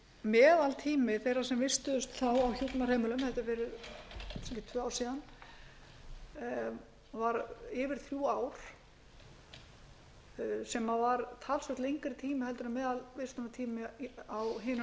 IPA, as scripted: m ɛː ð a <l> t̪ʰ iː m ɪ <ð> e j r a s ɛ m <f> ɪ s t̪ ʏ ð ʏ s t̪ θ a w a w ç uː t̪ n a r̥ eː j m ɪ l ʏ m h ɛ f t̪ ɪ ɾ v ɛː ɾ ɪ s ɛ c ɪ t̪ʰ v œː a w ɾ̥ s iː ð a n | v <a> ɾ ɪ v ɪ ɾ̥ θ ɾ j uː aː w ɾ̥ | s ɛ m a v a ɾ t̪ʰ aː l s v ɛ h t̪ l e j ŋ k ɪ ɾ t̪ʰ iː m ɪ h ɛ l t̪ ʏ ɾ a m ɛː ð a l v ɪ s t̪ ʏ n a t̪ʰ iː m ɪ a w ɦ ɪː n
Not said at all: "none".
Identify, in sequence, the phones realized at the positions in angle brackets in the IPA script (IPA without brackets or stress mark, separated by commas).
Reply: l, θ, v, a